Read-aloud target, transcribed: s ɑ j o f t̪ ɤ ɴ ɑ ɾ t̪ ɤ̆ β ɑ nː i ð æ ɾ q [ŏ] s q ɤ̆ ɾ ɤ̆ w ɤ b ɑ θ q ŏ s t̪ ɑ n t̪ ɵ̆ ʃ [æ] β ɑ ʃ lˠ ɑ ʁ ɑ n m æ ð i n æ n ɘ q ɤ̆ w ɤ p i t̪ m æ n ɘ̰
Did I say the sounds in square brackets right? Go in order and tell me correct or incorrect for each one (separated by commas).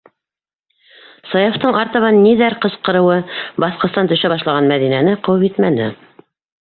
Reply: incorrect, correct